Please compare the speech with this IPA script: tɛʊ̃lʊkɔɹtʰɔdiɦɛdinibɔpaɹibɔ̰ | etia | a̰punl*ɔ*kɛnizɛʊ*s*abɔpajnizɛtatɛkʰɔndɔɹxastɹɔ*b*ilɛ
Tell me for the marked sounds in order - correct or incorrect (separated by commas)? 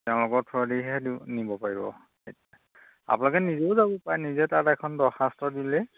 correct, incorrect, incorrect